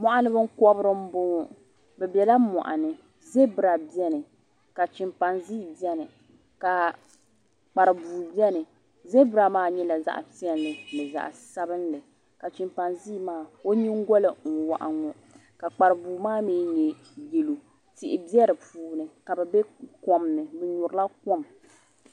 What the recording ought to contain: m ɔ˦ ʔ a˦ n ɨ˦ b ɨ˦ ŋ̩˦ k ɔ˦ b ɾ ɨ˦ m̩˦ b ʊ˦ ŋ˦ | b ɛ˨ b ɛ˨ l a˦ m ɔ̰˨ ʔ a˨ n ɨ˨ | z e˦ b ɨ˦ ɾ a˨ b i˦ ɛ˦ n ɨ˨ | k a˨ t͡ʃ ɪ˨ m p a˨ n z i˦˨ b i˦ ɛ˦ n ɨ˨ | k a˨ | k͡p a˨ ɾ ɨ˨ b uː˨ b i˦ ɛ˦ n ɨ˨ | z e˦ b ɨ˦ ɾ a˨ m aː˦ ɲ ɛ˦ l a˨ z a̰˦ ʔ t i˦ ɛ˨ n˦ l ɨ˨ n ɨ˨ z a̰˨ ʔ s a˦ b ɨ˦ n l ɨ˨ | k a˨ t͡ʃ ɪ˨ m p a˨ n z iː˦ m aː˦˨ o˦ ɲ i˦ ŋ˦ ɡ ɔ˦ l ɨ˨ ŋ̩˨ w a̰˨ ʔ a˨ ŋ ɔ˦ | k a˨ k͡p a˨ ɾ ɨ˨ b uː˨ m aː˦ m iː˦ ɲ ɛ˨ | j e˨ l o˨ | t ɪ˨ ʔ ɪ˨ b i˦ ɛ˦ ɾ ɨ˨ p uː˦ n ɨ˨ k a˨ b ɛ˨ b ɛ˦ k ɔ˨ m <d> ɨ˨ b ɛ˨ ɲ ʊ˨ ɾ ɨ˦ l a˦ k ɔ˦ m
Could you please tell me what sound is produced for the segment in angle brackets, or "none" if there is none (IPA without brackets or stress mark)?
n